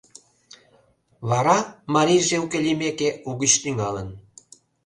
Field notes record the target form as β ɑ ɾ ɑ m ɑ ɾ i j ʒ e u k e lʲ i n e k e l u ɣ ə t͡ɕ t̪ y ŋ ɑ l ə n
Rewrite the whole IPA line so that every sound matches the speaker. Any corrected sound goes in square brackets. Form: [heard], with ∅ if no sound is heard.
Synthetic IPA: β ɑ ɾ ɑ m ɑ ɾ i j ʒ e u k e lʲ i [m] e k e [∅] u ɣ ə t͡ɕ t̪ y ŋ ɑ l ə n